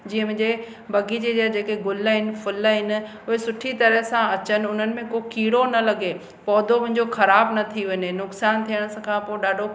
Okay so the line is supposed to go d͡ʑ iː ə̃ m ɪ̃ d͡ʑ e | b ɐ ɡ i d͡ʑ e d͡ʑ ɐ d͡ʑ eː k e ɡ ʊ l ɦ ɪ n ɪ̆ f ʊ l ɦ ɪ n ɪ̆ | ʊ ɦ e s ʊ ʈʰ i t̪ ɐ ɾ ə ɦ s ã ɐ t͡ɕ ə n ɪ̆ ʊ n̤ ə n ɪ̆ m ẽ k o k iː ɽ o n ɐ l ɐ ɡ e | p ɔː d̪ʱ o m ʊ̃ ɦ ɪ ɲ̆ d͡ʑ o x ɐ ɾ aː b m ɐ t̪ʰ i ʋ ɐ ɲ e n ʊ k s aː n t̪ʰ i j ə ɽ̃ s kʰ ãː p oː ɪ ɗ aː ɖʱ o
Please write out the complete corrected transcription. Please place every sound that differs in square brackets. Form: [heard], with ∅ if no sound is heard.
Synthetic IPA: d͡ʑ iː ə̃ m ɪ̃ d͡ʑ e | b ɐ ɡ i d͡ʑ e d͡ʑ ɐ d͡ʑ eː k e ɡ ʊ l ɦ ɪ n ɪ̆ f ʊ l ɦ ɪ n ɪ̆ | ʊ ɦ e s ʊ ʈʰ i t̪ ɐ ɾ ə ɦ s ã ɐ t͡ɕ ə n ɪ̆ ʊ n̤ ə n ɪ̆ m ẽ k o k iː ɽ o n ɐ l ɐ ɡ e | p ɔː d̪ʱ o m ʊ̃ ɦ ɪ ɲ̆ d͡ʑ o x ɐ ɾ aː b [n] ɐ t̪ʰ i ʋ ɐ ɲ e n ʊ k s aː n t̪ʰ i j ə ɽ̃ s kʰ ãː p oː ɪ ɗ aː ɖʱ o

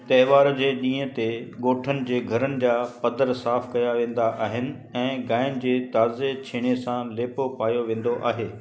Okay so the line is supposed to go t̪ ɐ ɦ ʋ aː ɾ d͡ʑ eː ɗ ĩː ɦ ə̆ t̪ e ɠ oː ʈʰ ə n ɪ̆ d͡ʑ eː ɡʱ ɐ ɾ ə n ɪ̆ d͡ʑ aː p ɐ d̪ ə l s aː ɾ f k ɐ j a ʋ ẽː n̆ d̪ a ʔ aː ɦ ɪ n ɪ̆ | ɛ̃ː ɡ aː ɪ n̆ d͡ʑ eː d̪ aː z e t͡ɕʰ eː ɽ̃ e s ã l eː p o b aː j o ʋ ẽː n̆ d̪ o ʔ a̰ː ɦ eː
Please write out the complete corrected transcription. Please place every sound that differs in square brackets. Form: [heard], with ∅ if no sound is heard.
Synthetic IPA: t̪ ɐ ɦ ʋ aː ɾ d͡ʑ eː ɗ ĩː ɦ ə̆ t̪ e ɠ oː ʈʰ ə n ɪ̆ d͡ʑ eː ɡʱ ɐ ɾ ə n ɪ̆ d͡ʑ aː p ɐ d̪ ə [ɾ] s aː [∅] f k ɐ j a ʋ ẽː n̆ d̪ a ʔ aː ɦ ɪ n ɪ̆ | ɛ̃ː ɡ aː ɪ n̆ d͡ʑ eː [t̪] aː z e t͡ɕʰ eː ɽ̃ e s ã l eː p o [p] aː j o ʋ ẽː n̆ d̪ o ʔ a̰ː ɦ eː

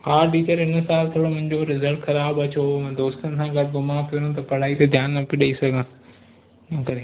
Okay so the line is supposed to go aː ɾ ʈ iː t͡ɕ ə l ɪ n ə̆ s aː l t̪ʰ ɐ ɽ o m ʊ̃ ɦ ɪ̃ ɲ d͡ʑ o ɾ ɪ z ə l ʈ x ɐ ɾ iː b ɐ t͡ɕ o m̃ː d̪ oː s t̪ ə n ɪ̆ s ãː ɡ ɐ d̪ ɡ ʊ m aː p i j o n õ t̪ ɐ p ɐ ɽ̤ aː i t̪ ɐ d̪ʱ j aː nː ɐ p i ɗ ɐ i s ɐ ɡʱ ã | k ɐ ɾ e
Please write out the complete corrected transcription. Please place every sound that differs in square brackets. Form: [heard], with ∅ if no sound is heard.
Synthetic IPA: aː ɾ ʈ iː t͡ɕ ə [ɾ] ɪ n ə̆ s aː l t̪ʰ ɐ ɽ o m ʊ̃ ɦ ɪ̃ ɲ d͡ʑ o ɾ ɪ z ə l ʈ x ɐ ɾ [aː] b ɐ t͡ɕ o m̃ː d̪ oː s t̪ ə n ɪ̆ s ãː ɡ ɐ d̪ ɡ ʊ m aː p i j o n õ t̪ ɐ p ɐ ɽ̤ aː i t̪ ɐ d̪ʱ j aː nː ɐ p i ɗ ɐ i s ɐ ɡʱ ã | k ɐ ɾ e

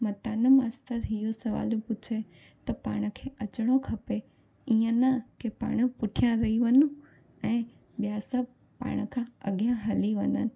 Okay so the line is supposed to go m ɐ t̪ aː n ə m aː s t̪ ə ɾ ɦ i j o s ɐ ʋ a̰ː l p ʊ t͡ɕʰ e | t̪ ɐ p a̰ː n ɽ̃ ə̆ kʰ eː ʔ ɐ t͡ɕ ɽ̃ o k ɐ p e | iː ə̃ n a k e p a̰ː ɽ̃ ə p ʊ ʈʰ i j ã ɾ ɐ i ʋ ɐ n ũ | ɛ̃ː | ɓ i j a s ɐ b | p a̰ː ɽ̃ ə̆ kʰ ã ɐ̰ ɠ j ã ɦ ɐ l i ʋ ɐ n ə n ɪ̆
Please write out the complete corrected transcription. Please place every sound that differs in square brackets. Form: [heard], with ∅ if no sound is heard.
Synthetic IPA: m ɐ t̪ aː n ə m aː s t̪ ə ɾ ɦ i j o s ɐ ʋ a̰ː l p ʊ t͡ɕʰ e | t̪ ɐ p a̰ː [∅] ɽ̃ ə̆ kʰ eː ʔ ɐ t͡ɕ ɽ̃ o [kʰ] ɐ p e | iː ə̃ n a k e p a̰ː ɽ̃ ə p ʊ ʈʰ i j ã ɾ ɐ i ʋ ɐ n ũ | ɛ̃ː | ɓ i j a s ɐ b | p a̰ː ɽ̃ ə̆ kʰ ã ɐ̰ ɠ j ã ɦ ɐ l i ʋ ɐ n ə n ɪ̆

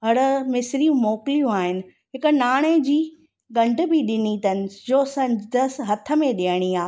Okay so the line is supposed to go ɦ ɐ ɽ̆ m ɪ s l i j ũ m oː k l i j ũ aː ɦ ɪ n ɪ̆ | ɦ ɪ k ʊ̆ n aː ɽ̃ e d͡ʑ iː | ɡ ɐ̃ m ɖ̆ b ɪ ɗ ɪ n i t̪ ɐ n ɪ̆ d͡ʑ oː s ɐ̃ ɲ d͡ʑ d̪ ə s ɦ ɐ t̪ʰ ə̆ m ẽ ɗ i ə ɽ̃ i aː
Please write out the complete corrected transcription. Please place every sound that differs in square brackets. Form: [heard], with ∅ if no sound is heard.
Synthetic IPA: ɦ ɐ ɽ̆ m ɪ s [ɾ] i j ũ m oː k l i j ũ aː ɦ ɪ n ɪ̆ | ɦ ɪ k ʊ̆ n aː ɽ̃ e d͡ʑ iː | ɡ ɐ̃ [ɳ] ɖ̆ b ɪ ɗ ɪ n i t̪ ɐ n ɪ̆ d͡ʑ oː s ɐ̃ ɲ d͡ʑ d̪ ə s ɦ ɐ t̪ʰ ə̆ m ẽ ɗ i ə ɽ̃ i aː

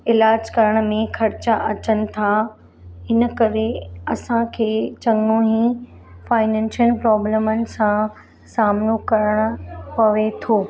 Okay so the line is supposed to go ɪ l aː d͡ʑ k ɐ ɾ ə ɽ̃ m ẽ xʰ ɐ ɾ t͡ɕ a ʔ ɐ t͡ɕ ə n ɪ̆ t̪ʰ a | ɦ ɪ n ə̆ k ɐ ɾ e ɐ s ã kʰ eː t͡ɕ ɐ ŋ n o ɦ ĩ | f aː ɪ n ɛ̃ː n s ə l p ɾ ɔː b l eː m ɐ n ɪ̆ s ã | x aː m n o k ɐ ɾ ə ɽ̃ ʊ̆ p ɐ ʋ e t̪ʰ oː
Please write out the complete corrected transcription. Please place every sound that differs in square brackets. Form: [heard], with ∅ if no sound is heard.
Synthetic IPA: ɪ l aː d͡ʑ k ɐ ɾ ə ɽ̃ m ẽ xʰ ɐ ɾ t͡ɕ a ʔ ɐ t͡ɕ ə n ɪ̆ t̪ʰ a | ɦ ɪ n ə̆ k ɐ ɾ e ɐ s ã kʰ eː t͡ɕ ɐ ŋ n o ɦ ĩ | f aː ɪ n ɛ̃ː n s ə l p ɾ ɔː b l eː m [ə] n ɪ̆ s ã | [s] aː m n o k ɐ ɾ ə ɽ̃ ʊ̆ p ɐ ʋ e t̪ʰ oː

